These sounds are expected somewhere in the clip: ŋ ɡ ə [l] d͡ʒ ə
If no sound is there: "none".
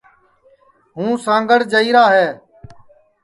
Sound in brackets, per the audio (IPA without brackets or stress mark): ɽ